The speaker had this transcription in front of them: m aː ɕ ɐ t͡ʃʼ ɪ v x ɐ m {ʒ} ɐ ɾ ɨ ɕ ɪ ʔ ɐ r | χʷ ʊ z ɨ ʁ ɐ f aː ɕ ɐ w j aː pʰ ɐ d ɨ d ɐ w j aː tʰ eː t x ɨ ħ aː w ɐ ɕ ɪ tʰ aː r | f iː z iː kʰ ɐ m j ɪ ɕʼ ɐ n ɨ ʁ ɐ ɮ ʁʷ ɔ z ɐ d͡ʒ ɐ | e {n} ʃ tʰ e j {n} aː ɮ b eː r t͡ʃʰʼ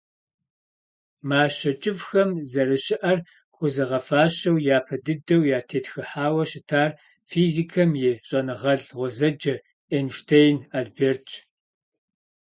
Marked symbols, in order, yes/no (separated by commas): no, yes, yes